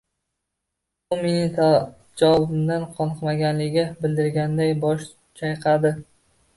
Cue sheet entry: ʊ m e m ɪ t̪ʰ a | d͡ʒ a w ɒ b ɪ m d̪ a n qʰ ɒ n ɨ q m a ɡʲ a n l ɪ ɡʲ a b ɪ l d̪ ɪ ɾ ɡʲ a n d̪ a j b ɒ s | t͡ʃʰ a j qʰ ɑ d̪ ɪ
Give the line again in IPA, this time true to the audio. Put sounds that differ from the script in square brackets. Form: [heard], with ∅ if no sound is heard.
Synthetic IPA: ʊ m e [n] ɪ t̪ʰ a | d͡ʒ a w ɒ b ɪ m d̪ a n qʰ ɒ n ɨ q m a ɡʲ a n l ɪ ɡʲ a b ɪ l d̪ ɪ ɾ ɡʲ a n d̪ a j b ɒ [ʃ] | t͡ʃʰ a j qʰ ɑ d̪ ɪ